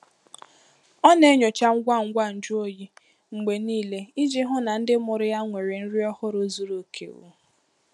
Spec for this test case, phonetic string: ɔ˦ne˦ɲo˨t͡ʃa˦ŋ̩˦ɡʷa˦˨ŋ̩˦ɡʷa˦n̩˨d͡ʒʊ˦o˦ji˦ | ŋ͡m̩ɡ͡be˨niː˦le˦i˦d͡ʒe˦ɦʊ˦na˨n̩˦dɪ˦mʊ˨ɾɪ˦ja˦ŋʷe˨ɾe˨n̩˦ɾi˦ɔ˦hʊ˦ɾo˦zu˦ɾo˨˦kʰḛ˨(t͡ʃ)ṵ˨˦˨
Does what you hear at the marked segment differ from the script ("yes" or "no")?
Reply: yes